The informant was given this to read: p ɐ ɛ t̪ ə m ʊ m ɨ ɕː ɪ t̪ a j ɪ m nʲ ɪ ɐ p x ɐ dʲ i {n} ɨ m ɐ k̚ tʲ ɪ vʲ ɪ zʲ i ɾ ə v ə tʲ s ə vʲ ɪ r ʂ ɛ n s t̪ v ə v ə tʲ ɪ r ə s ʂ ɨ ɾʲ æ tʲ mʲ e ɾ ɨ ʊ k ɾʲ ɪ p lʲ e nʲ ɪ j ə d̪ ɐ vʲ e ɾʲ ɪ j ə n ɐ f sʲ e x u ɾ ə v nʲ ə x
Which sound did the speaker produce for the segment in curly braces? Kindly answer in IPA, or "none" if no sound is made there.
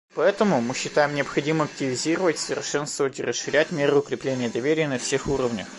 m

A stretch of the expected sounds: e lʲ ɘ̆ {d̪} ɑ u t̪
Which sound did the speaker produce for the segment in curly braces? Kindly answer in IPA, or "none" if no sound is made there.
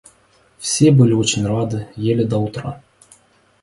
d̪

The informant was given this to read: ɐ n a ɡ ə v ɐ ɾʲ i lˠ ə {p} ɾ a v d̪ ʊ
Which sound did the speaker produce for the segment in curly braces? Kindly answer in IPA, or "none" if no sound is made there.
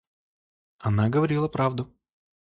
p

